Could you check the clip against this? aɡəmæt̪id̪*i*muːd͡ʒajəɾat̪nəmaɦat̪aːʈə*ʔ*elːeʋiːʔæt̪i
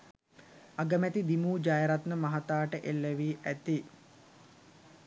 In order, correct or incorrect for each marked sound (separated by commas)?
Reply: correct, correct